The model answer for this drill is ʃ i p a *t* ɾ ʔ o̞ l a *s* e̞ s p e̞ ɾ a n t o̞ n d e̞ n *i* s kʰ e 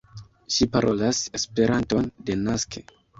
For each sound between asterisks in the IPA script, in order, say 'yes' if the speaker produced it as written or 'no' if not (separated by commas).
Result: no, yes, no